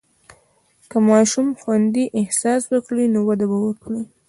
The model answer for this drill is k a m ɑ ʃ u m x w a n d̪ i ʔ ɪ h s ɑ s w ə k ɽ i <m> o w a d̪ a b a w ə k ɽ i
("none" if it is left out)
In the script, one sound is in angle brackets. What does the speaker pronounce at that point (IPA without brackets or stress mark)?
n